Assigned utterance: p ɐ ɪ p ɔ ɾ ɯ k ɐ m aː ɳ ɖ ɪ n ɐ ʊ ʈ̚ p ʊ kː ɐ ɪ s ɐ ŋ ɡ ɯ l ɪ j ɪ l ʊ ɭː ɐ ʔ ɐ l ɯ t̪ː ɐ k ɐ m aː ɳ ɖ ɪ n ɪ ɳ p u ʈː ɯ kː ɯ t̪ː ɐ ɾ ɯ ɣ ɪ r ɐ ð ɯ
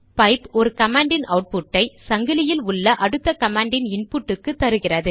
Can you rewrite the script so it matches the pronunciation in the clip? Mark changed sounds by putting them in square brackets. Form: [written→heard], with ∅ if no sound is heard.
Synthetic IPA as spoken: p ɐ ɪ p ɔ ɾ ɯ k ɐ m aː ɳ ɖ ɪ n ɐ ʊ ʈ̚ p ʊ [kː→ʈː] ɐ ɪ s ɐ ŋ ɡ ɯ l ɪ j ɪ l ʊ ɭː ɐ ʔ ɐ [l→ɽ] ɯ t̪ː ɐ k ɐ m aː ɳ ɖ ɪ n ɪ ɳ p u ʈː ɯ kː ɯ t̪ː ɐ ɾ ɯ ɣ ɪ r ɐ ð ɯ

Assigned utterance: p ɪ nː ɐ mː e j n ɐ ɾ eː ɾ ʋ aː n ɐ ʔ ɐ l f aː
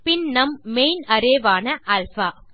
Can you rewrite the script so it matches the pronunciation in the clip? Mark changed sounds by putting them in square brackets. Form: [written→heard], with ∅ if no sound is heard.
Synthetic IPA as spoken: p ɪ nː ɐ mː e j n ɐ ɾ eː [ɾ→∅] ʋ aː n ɐ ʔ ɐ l f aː

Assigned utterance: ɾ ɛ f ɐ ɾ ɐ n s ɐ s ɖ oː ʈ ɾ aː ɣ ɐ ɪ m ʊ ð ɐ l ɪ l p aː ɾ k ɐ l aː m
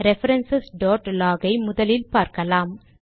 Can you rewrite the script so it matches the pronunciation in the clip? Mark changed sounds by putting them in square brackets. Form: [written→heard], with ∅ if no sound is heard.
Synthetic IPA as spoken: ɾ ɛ f ɐ ɾ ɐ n s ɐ s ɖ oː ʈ [ɾ→l] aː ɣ ɐ ɪ m ʊ ð ɐ l ɪ l p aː ɾ k ɐ l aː m

